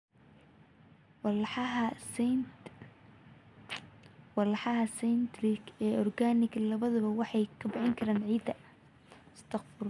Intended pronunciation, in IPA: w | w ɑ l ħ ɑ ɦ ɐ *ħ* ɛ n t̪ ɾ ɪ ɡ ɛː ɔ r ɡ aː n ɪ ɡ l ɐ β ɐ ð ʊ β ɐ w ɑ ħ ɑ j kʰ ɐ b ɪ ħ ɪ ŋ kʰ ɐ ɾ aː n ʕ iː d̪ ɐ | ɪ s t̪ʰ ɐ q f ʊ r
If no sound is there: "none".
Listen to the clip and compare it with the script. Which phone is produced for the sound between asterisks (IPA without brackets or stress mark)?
s